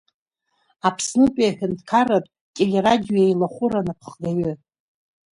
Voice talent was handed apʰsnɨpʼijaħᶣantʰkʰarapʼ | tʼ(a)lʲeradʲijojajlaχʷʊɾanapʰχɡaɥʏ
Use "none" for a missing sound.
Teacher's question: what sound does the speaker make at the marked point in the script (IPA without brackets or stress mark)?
e